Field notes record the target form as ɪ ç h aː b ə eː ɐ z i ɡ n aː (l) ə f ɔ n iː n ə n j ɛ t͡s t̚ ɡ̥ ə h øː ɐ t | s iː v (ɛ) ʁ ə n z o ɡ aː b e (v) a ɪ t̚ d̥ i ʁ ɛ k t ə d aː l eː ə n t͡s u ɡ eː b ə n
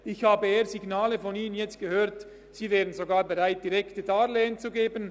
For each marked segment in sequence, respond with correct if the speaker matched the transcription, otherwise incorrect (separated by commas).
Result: correct, incorrect, incorrect